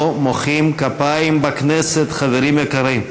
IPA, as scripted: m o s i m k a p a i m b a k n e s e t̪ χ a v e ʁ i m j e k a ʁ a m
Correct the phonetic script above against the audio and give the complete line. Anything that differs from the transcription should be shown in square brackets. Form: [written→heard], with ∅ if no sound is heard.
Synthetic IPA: m o [s→χ] i m k a p a i m b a k n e s e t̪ χ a v e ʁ i m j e k a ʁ [a→i] m